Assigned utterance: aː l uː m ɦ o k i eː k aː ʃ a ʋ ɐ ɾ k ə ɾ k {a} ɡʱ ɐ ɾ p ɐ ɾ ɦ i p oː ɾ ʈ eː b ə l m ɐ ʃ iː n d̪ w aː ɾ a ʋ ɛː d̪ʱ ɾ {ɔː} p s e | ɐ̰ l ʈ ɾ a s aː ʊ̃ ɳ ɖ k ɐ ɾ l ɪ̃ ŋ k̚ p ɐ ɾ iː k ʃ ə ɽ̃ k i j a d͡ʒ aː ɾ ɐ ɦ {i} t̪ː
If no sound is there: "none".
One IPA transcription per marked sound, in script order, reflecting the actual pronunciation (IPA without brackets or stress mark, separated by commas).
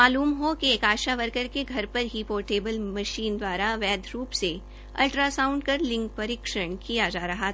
e, uː, a